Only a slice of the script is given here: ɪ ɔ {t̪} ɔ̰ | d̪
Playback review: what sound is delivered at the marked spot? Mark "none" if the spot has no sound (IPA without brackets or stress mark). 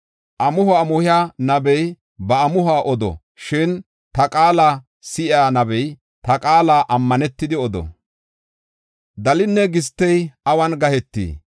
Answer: d̪